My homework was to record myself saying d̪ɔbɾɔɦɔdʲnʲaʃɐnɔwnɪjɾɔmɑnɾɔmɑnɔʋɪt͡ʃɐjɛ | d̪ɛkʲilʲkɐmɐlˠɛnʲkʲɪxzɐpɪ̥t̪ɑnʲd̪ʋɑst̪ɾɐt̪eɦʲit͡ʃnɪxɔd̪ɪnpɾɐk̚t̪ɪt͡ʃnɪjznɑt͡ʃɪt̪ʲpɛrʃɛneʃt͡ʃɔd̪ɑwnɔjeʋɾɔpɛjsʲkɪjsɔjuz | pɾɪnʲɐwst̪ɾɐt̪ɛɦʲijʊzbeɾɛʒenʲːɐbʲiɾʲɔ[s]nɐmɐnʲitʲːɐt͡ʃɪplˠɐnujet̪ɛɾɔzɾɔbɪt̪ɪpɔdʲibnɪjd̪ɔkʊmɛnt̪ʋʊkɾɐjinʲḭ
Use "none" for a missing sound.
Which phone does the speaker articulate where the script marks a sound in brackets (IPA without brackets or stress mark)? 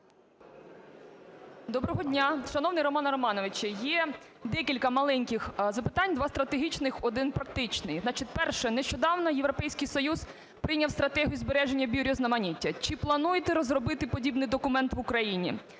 z